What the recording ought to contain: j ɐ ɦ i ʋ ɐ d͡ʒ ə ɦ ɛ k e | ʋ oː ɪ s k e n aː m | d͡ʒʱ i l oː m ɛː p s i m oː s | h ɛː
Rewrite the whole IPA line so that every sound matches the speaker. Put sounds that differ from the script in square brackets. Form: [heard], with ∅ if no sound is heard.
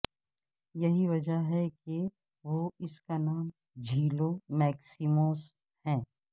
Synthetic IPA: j ɐ ɦ i ʋ ɐ d͡ʒ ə ɦ ɛ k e | ʋ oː ɪ s k [a] n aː m | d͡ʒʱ [iː] l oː m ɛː [k] s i m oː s | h [ɛ̃ː]

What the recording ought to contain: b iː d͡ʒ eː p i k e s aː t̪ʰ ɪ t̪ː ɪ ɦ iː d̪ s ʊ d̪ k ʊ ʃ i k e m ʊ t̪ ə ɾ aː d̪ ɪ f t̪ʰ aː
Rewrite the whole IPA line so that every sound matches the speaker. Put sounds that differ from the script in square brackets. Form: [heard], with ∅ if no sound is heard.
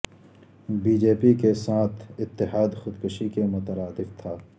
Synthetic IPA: b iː d͡ʒ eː p i k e s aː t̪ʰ ɪ t̪ː ɪ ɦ [aː] d̪ [x] ʊ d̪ k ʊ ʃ i k e m ʊ t̪ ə ɾ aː d̪ ɪ f t̪ʰ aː

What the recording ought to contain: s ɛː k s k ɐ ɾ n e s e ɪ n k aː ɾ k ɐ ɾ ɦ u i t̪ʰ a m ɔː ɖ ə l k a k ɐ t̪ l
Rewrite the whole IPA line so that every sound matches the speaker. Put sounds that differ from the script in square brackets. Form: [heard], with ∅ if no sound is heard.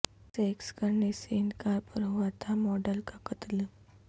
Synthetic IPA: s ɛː k s k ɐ ɾ n e s e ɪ n k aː ɾ [p] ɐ ɾ ɦ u [a] t̪ʰ a m ɔː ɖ ə l k a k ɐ t̪ l

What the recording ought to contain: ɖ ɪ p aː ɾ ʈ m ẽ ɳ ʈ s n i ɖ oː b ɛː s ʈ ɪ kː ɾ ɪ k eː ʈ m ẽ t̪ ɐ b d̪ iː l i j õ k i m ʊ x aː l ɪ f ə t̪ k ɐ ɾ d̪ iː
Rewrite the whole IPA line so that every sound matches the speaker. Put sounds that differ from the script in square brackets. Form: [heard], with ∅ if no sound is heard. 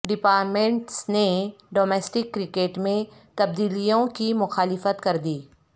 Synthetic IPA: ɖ ɪ p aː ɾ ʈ m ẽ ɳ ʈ s n [e] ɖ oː [m] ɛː s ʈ ɪ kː ɾ ɪ k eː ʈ m ẽ t̪ ɐ b d̪ iː l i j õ k i m ʊ x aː l ɪ f ə t̪ k ɐ ɾ d̪ iː

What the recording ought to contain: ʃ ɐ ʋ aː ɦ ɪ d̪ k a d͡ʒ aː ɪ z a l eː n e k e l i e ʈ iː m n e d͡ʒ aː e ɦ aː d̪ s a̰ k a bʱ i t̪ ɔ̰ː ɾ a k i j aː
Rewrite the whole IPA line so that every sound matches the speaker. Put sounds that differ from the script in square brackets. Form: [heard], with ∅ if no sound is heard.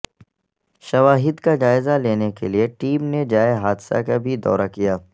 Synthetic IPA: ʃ ɐ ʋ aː ɦ ɪ d̪ k a d͡ʒ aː ɪ z a l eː n e k e l i e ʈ iː m n e d͡ʒ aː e ɦ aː d̪ s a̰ k a bʱ i [d̪] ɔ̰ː ɾ a k i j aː

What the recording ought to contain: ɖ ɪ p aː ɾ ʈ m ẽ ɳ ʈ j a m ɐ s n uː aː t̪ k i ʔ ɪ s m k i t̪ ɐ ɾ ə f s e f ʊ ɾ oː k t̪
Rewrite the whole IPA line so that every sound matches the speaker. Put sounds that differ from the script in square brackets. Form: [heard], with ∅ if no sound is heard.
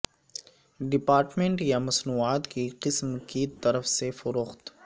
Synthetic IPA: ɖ ɪ p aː ɾ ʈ m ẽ ɳ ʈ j a m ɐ s n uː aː t̪ k i [q] ɪ s m k i t̪ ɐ ɾ ə f s e f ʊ ɾ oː [x] t̪

